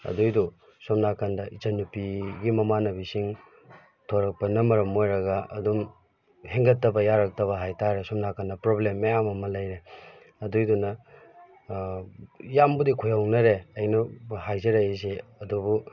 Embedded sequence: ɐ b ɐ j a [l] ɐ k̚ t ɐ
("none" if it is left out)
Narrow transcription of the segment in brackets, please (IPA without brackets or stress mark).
ɾ